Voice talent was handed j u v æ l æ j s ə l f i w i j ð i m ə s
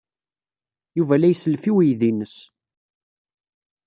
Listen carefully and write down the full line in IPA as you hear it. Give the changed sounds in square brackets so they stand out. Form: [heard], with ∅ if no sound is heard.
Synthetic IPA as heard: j u v æ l æ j s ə l f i w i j ð i [n] ə s